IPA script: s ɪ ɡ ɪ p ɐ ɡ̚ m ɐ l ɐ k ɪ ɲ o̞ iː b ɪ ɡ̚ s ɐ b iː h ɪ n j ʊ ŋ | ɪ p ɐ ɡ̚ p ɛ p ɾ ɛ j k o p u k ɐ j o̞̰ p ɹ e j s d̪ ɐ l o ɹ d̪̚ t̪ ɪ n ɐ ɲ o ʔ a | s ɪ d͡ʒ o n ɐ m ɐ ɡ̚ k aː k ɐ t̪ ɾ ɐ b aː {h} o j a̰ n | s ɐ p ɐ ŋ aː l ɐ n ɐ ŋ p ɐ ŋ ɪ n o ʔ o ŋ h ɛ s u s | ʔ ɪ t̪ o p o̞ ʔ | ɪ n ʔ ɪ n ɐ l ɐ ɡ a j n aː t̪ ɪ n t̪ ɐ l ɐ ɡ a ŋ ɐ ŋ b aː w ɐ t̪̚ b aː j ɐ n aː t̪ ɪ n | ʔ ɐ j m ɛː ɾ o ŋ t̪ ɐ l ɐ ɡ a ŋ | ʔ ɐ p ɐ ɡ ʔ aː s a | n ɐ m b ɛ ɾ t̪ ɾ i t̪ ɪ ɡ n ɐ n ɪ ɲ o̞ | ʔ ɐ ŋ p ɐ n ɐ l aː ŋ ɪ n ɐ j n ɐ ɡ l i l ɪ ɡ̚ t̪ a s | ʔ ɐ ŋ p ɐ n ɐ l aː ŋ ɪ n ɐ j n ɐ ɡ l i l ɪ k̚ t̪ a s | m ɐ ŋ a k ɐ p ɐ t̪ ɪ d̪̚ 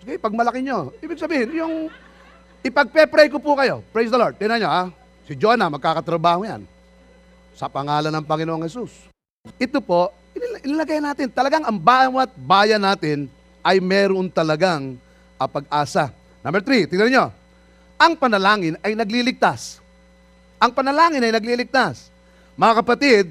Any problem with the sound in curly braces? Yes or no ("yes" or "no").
no